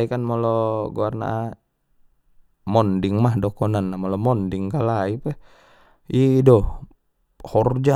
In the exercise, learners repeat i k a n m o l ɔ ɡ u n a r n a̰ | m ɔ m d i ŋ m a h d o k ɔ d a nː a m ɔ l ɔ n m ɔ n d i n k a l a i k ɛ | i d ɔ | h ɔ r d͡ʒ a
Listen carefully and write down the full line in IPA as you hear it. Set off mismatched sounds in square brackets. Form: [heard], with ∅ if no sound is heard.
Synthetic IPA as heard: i k a n m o l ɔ ɡ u [∅] a r n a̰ | m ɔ [n] d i ŋ m a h d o k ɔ [n] a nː a m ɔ l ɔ [∅] m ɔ n d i [ŋ] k a l a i [p] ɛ | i d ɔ | h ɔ r d͡ʒ a